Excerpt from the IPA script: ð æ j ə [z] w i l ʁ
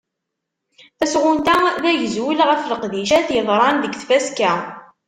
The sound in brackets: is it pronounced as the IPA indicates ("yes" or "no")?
yes